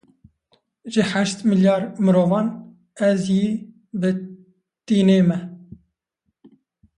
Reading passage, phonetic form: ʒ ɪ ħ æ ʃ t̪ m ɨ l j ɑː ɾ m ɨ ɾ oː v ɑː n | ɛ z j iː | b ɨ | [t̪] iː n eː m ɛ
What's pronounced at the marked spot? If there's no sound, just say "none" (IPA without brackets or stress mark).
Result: t̪